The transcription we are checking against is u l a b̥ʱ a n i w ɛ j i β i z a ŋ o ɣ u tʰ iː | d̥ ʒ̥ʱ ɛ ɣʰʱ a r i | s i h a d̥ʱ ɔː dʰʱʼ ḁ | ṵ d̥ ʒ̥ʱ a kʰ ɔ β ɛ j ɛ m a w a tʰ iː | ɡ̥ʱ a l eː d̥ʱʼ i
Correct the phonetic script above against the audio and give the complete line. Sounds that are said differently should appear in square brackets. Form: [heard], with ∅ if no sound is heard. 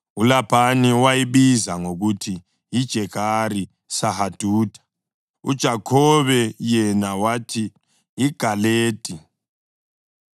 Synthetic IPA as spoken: u l a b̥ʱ a n i w [a] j i β i z a ŋ o ɣ u tʰ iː | d̥ ʒ̥ʱ ɛ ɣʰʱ a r i | s [a] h a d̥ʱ [uː] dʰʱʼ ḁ | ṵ d̥ ʒ̥ʱ a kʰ ɔ β ɛ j ɛ [n] a w a tʰ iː | ɡ̥ʱ a l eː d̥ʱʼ i